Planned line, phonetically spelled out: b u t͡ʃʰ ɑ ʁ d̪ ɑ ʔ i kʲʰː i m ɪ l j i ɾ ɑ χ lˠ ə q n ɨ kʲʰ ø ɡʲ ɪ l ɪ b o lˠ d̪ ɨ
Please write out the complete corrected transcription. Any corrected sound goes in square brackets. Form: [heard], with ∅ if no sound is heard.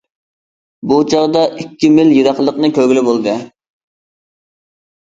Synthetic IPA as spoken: b u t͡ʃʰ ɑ ʁ d̪ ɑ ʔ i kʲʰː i m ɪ l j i ɾ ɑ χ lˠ ə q n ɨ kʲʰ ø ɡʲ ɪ l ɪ b o lˠ d̪ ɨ